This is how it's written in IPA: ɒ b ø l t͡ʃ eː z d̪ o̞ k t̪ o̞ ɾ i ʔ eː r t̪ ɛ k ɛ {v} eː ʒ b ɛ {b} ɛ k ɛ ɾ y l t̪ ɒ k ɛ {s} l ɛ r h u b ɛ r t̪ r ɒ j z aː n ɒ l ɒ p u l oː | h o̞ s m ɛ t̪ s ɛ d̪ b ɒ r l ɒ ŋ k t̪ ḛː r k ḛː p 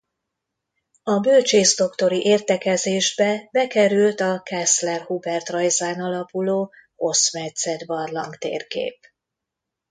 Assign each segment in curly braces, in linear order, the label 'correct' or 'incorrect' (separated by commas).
incorrect, correct, correct